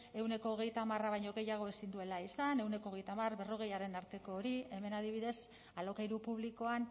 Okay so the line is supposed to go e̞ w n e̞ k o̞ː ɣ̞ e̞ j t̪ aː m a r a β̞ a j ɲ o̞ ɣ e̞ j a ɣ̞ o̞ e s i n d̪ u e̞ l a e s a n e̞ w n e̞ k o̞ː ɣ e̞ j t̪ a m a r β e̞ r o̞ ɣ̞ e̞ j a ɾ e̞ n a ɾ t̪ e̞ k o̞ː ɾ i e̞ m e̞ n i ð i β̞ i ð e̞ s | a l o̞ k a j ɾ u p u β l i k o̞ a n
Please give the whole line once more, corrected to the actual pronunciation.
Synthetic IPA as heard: e̞ w n e̞ k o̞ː ɣ̞ e̞ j t̪ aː m a r a β̞ a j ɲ o̞ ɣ e̞ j a ɣ̞ o̞ e s i n d̪ u e̞ l a i s a n e̞ w n e̞ k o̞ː ɣ e̞ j t̪ a m a r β e̞ r o̞ ɣ̞ e̞ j a ɾ e̞ n a ɾ t̪ e̞ k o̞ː ɾ i e̞ m e̞ n a ð i β̞ i ð e̞ s | a l o̞ k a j ɾ u p u β l i k o̞ a n